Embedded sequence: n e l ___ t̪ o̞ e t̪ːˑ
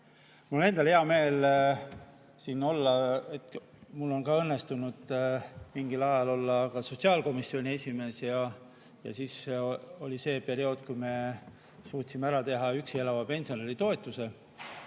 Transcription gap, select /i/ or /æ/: i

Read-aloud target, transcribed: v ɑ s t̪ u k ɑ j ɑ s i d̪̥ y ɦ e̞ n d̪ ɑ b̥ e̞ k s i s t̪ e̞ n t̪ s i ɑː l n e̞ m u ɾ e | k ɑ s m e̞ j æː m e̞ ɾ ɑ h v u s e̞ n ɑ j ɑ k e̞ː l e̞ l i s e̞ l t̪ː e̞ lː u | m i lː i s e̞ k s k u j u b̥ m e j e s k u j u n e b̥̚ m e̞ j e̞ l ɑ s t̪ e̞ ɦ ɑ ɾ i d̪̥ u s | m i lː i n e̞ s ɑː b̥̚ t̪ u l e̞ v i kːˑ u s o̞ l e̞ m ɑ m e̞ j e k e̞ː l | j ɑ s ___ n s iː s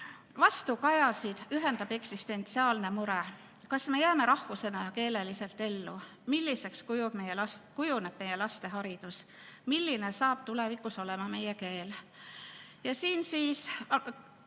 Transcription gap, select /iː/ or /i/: iː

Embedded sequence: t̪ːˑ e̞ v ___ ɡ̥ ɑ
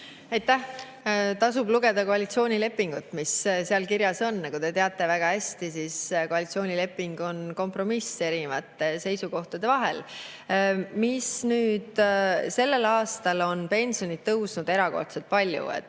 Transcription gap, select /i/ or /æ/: æ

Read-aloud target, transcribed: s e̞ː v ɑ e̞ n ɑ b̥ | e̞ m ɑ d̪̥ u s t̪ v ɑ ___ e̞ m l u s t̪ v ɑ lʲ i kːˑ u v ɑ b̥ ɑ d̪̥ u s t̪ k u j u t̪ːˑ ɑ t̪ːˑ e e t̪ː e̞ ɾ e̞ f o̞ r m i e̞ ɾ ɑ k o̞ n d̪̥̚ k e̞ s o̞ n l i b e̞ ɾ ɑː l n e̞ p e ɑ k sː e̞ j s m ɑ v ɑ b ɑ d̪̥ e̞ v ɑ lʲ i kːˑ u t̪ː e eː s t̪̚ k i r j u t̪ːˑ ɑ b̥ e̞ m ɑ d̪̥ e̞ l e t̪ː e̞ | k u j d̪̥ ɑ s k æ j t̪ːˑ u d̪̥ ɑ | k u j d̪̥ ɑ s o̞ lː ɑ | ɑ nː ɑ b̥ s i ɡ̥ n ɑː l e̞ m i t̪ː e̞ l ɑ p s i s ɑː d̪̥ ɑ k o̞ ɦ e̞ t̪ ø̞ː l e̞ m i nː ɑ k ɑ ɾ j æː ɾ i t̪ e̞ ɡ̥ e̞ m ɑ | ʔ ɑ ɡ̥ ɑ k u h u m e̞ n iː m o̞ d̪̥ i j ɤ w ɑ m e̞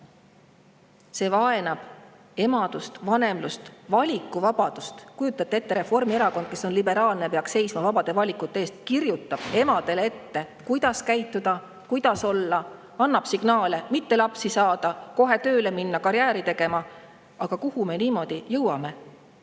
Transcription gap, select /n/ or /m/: n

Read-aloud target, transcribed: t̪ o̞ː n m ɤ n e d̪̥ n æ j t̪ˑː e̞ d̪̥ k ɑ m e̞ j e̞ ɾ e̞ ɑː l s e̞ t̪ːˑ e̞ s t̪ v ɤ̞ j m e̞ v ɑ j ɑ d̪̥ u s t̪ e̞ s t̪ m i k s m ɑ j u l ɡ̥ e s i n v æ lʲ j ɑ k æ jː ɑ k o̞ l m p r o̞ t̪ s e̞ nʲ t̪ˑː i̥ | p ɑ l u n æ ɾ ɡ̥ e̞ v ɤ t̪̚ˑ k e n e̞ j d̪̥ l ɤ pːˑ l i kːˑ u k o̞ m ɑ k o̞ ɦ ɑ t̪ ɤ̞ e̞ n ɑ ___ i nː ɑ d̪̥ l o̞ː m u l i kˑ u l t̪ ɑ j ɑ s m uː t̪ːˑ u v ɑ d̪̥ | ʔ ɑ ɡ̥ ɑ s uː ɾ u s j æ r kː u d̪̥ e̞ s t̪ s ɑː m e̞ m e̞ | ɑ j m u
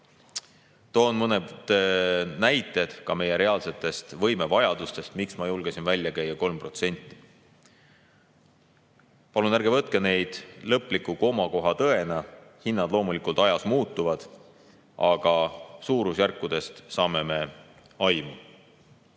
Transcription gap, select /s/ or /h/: h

